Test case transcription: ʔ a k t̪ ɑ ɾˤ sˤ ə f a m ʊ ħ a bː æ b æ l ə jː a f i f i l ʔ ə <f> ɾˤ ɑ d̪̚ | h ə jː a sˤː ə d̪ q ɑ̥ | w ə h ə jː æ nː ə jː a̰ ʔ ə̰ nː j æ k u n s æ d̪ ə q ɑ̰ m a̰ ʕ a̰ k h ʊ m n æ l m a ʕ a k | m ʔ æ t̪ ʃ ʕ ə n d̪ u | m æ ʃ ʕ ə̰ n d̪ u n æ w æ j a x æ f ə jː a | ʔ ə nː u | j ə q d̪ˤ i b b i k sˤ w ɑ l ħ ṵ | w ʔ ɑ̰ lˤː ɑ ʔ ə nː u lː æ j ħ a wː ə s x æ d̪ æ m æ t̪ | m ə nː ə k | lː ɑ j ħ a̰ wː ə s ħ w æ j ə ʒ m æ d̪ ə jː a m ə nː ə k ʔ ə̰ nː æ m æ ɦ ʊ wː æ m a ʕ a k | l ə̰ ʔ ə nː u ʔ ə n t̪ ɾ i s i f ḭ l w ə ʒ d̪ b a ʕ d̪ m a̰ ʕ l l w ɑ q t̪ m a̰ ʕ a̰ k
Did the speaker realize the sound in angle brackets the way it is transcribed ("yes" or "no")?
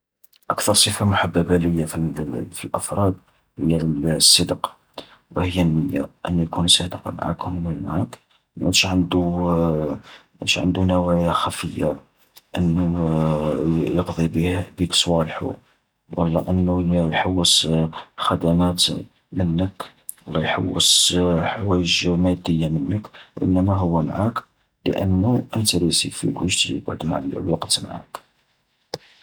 yes